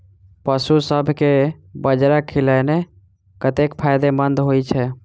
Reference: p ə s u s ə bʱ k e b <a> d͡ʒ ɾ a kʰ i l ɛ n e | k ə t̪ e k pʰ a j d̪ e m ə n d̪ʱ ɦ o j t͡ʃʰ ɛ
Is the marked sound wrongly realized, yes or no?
yes